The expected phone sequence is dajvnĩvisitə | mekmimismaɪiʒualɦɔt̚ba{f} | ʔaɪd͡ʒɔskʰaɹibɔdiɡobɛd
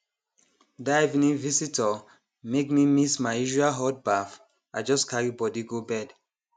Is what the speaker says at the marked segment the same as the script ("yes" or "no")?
yes